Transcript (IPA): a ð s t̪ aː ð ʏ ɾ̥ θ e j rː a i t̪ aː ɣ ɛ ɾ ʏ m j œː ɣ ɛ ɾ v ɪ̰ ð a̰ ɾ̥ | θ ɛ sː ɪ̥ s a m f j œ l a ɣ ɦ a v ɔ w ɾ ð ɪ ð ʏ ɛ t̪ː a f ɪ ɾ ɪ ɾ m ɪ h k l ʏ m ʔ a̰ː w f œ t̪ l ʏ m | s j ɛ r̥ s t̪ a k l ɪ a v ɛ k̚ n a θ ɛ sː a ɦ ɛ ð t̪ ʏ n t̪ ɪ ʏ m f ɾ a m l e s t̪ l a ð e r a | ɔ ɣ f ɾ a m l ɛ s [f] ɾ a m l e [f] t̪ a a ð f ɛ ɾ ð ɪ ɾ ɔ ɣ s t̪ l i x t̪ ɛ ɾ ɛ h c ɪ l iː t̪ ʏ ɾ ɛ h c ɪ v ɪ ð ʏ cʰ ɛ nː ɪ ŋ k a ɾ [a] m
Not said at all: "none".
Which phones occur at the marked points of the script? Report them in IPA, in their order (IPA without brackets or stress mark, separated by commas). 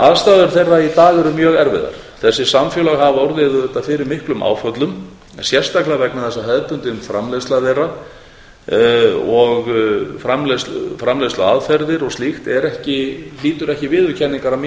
f, s, a